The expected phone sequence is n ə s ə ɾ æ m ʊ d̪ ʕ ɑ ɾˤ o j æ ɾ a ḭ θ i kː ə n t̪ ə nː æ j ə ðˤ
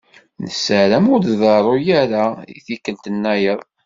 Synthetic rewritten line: n ə s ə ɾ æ m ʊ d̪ ð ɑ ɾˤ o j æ ɾ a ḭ θ i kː ə n t̪ ə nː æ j ə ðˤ